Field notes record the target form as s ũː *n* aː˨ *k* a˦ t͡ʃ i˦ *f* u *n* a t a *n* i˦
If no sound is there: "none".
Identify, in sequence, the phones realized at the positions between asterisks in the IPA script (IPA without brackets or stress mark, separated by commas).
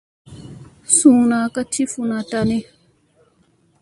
n, k, f, n, n